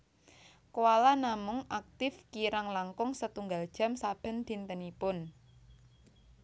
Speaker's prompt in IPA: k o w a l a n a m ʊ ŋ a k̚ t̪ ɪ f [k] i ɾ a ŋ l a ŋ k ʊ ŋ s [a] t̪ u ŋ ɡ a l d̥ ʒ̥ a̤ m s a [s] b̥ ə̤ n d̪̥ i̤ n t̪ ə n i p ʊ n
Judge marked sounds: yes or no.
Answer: yes, no, no

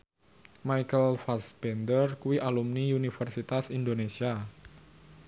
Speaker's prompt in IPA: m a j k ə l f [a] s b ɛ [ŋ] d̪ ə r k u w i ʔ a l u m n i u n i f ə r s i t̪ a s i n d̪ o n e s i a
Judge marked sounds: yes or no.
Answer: yes, no

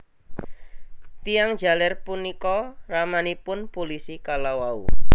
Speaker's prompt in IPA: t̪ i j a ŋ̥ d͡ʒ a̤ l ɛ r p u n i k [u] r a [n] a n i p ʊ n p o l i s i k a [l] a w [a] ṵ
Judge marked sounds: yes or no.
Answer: no, no, yes, yes

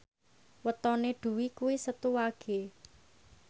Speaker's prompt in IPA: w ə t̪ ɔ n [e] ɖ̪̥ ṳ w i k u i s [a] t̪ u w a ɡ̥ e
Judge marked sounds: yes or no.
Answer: yes, no

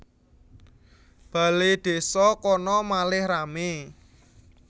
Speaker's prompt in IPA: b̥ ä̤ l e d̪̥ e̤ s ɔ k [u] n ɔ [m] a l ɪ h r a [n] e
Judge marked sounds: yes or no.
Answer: no, yes, no

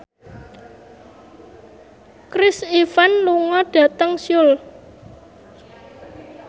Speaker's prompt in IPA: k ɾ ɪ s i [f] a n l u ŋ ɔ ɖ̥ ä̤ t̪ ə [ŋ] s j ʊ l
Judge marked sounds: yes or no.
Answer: yes, yes

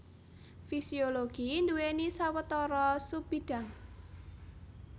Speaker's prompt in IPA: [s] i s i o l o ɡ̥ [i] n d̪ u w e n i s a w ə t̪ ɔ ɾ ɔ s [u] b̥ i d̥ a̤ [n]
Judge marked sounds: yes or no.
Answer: no, yes, yes, no

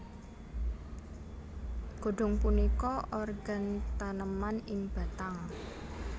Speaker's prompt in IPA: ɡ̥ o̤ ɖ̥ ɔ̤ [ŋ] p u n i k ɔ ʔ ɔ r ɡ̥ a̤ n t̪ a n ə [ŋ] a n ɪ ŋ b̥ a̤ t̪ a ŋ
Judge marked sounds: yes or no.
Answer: yes, no

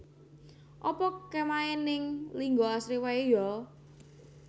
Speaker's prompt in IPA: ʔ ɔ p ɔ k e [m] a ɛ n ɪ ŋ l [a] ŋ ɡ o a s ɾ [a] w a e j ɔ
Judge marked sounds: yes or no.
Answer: yes, no, no

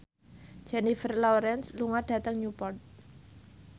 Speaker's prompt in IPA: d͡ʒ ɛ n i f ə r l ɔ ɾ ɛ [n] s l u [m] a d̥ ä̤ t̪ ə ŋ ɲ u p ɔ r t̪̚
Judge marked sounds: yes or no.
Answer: yes, no

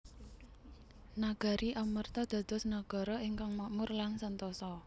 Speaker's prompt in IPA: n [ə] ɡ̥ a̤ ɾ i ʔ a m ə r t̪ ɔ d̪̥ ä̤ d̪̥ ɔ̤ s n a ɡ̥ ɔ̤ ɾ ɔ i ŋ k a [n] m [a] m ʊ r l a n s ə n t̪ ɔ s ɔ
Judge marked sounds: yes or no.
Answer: no, no, yes

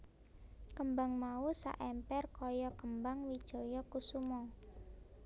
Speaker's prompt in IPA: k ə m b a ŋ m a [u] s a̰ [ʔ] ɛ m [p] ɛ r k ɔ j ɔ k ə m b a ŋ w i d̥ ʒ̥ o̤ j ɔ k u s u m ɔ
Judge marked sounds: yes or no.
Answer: yes, yes, yes

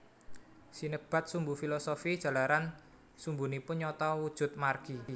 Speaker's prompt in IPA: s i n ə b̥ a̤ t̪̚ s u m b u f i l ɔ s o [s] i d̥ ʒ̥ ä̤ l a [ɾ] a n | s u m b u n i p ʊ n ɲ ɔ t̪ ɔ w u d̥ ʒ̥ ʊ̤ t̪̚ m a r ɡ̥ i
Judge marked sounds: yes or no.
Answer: no, yes

